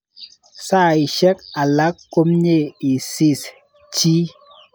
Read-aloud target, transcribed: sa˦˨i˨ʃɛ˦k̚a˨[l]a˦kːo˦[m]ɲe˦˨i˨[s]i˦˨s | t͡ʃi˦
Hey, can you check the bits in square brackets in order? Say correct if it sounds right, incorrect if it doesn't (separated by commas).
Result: correct, correct, correct